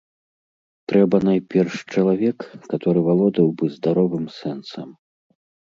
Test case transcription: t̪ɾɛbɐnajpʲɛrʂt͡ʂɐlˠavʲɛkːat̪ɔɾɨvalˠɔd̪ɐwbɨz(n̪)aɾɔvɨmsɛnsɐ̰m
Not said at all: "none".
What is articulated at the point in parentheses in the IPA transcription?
d̪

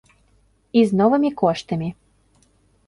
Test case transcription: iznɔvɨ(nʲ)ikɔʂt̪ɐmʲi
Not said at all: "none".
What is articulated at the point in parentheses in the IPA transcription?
mʲ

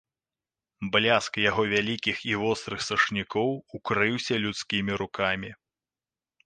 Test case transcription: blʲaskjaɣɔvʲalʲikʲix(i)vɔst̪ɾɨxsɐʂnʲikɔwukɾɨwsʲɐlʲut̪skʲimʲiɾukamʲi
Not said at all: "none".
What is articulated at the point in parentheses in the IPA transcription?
i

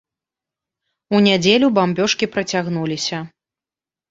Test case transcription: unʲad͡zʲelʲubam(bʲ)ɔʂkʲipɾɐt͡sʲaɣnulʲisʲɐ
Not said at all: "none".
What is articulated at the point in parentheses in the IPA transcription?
bʲ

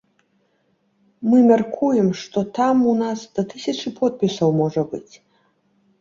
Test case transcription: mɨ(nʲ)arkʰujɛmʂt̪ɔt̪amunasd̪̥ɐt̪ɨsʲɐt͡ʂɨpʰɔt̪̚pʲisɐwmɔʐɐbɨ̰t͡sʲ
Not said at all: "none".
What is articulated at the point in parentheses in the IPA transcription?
mʲ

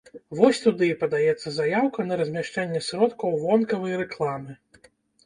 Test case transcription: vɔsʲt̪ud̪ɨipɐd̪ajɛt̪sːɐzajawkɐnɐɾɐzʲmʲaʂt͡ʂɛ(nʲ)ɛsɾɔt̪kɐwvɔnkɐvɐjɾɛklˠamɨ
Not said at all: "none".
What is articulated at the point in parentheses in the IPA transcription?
nʲː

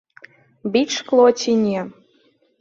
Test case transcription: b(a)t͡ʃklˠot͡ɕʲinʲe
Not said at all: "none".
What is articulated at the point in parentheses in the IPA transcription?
i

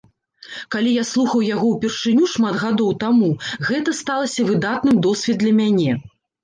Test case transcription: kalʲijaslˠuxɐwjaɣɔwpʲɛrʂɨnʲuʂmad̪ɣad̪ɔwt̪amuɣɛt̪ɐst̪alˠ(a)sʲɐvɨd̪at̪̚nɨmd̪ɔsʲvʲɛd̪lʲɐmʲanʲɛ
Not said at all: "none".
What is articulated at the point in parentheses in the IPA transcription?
ɐ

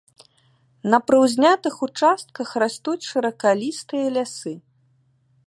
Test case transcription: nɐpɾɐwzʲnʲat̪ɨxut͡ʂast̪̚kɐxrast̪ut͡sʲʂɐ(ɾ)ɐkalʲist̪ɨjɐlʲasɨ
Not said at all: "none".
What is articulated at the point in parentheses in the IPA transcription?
ɾ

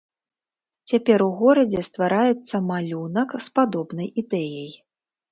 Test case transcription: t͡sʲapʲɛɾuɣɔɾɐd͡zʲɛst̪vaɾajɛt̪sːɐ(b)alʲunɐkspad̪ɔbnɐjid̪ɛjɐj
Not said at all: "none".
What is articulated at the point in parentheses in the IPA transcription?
m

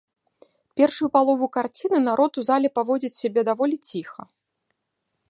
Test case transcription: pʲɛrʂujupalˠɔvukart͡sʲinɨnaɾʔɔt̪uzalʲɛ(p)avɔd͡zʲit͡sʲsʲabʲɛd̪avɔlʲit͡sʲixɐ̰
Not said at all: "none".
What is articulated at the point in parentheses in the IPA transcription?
p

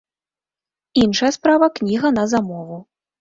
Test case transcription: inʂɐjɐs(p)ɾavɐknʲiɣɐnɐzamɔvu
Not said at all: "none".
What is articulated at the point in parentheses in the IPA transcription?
p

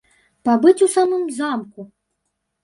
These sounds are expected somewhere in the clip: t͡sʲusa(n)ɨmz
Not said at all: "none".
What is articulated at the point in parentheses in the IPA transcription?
m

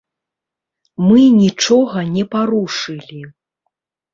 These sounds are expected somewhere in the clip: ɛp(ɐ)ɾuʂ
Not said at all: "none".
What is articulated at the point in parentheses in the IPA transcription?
a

